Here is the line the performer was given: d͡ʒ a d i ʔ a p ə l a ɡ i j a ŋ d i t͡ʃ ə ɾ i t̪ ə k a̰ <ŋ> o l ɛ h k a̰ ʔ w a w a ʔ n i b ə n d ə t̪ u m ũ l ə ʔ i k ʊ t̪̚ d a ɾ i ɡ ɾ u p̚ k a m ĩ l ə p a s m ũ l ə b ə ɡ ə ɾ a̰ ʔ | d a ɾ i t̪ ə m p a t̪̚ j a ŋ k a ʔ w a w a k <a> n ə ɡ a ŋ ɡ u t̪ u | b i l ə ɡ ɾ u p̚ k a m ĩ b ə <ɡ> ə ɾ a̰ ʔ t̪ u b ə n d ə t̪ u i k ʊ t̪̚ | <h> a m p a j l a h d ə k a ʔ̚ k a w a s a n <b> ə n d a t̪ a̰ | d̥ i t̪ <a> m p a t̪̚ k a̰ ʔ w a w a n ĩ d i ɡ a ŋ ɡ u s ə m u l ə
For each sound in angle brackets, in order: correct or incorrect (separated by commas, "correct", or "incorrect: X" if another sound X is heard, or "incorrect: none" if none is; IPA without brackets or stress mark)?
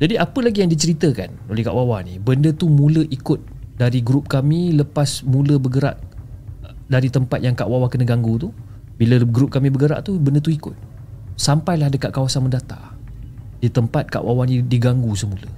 incorrect: n, incorrect: ə, correct, incorrect: s, incorrect: m, incorrect: ə